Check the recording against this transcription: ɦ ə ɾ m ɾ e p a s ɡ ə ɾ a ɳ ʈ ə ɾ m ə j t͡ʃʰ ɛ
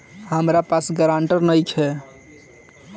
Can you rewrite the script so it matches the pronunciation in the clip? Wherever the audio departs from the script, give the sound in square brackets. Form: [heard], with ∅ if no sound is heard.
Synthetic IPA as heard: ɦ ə [∅] m ɾ [a] p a s ɡ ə ɾ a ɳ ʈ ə ɾ [n] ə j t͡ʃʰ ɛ